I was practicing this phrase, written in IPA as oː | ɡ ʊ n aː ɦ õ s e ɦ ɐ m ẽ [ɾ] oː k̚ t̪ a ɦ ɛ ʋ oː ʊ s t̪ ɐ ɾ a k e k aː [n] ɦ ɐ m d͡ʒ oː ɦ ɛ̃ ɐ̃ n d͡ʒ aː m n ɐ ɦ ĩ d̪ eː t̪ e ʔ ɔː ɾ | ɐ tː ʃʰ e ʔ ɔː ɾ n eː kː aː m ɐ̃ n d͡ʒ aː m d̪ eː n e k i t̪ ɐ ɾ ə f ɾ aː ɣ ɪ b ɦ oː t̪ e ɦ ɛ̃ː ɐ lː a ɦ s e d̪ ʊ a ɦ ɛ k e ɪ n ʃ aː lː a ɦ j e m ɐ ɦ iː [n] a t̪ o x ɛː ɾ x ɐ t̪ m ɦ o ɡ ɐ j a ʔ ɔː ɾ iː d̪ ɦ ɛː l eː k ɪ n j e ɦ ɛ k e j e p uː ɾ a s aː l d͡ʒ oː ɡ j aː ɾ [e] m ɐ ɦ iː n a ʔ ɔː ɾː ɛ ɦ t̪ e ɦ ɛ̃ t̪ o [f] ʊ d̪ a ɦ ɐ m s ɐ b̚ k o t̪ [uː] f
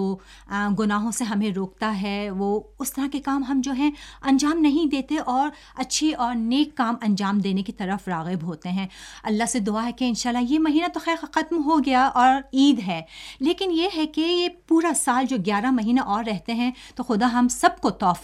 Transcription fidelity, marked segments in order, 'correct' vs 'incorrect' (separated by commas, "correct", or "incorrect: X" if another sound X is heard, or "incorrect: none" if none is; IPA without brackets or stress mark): correct, incorrect: m, correct, incorrect: a, incorrect: x, incorrect: ɔː